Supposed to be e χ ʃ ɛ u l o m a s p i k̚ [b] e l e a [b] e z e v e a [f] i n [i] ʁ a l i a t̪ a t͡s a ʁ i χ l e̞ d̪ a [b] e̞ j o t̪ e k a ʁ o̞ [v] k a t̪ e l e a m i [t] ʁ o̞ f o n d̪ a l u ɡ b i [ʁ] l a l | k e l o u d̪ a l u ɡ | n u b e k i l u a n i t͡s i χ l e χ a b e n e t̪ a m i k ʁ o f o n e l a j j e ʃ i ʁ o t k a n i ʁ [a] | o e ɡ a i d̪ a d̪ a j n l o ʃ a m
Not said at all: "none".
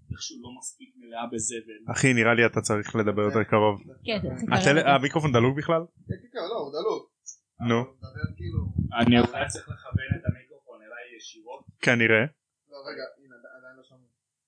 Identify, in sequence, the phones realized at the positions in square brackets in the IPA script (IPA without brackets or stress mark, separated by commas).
m, b, χ, i, b, v, k, χ, e